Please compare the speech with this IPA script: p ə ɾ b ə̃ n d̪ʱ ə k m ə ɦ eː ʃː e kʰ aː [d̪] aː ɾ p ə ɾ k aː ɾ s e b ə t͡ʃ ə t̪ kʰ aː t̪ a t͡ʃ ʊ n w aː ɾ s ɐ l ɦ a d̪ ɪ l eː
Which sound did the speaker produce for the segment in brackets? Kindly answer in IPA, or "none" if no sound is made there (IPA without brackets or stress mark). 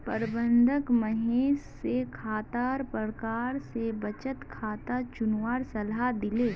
t̪